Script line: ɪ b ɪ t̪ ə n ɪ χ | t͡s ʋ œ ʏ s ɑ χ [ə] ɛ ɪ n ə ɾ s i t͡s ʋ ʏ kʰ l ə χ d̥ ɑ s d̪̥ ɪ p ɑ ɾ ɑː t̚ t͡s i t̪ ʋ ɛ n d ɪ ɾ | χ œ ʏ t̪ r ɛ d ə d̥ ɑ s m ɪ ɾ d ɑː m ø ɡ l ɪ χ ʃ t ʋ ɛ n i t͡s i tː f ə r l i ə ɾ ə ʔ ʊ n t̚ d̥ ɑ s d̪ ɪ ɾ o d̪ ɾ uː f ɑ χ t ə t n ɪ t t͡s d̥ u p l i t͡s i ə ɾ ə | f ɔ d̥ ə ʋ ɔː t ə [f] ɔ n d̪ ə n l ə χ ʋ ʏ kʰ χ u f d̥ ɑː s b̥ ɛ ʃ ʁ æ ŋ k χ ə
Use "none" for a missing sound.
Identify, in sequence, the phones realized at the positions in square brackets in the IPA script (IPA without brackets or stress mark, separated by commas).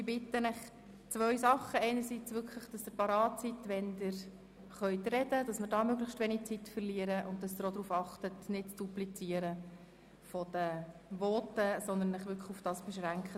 ə, s